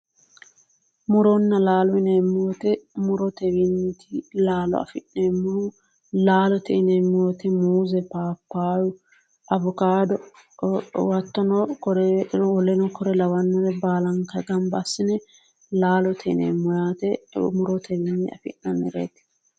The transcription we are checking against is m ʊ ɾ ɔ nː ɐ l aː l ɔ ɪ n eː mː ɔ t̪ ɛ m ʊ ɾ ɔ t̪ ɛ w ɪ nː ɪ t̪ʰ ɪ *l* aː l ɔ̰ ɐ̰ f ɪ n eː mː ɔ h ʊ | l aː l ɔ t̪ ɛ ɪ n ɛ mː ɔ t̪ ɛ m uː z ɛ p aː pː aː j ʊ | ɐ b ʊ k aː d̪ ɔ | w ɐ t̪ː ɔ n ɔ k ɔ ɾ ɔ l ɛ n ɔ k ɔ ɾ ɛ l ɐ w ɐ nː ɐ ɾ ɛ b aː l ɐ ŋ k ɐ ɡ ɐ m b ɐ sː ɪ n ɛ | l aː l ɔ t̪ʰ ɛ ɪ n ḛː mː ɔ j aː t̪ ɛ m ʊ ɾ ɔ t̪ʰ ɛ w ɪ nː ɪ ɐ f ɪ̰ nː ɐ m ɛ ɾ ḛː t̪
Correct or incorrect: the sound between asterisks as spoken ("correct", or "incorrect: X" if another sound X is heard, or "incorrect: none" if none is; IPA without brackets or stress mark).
correct